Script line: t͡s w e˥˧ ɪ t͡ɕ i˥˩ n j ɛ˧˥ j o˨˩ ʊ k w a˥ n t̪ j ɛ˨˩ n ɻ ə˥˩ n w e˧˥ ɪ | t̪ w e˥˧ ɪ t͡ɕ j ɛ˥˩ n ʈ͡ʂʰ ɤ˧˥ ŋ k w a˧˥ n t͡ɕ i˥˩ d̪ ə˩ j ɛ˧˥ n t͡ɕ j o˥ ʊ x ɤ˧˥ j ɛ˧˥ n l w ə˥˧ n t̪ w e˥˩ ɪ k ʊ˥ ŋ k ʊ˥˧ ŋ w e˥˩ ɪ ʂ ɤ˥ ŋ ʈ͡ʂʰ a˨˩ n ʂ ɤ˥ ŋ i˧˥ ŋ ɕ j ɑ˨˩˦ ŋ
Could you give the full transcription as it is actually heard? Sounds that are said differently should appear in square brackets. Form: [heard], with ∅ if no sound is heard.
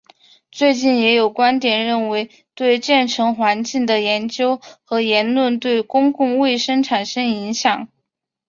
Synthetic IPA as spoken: t͡s w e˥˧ ɪ t͡ɕ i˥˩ n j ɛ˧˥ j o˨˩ ʊ k w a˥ n t̪ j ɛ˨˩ n ɻ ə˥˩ n w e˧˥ ɪ | t̪ w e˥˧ ɪ t͡ɕ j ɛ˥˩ n ʈ͡ʂʰ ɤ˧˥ ŋ [x] w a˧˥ n t͡ɕ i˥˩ d̪ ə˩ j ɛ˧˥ n t͡ɕ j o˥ ʊ x ɤ˧˥ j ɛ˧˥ n l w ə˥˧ n t̪ w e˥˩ ɪ k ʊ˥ ŋ k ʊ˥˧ ŋ w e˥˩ ɪ ʂ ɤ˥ ŋ ʈ͡ʂʰ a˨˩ n ʂ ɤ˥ ŋ i˧˥ ŋ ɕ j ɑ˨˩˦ ŋ